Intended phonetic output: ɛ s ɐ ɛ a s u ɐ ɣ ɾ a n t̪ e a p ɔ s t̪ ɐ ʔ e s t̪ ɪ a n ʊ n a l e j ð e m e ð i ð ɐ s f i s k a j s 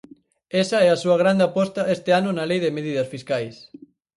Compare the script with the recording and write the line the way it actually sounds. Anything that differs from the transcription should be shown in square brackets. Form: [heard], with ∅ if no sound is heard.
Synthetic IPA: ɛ s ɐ ɛ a s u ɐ ɣ ɾ a n [d̪] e a p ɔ s t̪ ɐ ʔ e s t̪ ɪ a n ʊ n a l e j ð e m e ð i ð ɐ s f i s k a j s